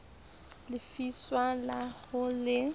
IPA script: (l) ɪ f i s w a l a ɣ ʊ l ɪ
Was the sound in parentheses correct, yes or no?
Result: yes